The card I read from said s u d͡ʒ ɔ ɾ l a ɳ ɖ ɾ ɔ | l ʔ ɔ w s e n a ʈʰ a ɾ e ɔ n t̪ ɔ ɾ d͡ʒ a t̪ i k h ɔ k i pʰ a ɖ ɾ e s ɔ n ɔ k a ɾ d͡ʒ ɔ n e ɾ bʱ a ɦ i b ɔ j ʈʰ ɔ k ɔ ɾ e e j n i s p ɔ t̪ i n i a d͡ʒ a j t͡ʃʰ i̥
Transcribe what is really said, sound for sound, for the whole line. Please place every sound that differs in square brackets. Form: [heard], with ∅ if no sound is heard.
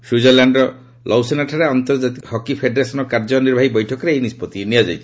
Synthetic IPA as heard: s u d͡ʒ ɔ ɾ l a ɳ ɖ ɾ ɔ | l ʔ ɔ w s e n a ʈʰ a ɾ e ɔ n t̪ ɔ ɾ d͡ʒ a t̪ i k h ɔ k i pʰ [e] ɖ ɾ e s ɔ n ɔ k a ɾ d͡ʒ ɔ n [i] ɾ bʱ a ɦ i b ɔ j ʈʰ ɔ k ɔ ɾ e e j n i s p ɔ t̪ i n i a d͡ʒ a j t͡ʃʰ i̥